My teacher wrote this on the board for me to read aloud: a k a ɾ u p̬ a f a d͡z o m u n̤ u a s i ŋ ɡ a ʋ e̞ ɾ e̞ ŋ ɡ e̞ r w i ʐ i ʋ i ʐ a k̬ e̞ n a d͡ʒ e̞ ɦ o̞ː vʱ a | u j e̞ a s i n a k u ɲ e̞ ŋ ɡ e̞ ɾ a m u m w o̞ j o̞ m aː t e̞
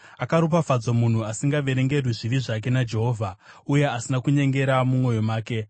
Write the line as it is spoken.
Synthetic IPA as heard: a k a ɾ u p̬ a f a d͡z o m u n̤ u a s i ŋ ɡ a ʋ e̞ ɾ e̞ ŋ ɡ e̞ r w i ʐ i ʋ i ʐ a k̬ e̞ n a d͡ʒ e̞ ɦ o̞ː vʱ a | u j e̞ a s i n a k u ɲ e̞ ŋ ɡ e̞ ɾ a m u m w o̞ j o̞ m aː k e̞